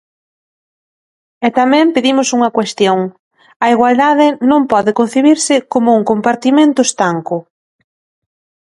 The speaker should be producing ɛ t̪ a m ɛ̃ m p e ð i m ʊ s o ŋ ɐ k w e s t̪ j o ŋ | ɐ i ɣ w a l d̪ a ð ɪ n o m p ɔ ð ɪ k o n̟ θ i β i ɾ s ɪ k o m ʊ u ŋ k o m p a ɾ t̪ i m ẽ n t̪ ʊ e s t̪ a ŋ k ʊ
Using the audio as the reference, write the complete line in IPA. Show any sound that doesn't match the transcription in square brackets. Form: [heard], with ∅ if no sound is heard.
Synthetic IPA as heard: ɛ t̪ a m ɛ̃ m p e ð i m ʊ s [u] ŋ ɐ k w e s t̪ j o ŋ | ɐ i ɣ w a l d̪ a ð ɪ n [õ] m p ɔ ð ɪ k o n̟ θ i β i ɾ s ɪ k o m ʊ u ŋ k o m p a ɾ t̪ i m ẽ n t̪ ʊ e s t̪ a ŋ k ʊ